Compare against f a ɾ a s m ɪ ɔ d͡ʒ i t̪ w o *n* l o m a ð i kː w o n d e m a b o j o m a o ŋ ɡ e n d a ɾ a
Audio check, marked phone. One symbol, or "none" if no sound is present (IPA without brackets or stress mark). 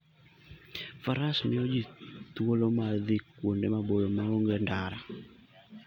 none